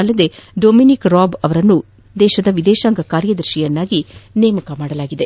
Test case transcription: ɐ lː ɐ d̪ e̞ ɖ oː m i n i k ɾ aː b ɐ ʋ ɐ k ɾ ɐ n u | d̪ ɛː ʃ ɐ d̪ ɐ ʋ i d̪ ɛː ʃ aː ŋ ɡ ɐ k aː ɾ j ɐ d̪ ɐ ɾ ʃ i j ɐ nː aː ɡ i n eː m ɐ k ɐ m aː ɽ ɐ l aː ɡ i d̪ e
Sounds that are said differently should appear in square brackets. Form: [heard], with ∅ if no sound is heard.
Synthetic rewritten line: ɐ lː ɐ d̪ e̞ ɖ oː m i n i k ɾ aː b ɐ ʋ ɐ [∅] ɾ ɐ [nː] u | d̪ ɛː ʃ ɐ d̪ ɐ ʋ i d̪ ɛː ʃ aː ŋ ɡ ɐ k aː ɾ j ɐ d̪ ɐ ɾ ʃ i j ɐ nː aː ɡ i n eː m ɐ k ɐ m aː ɽ ɐ l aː ɡ i d̪ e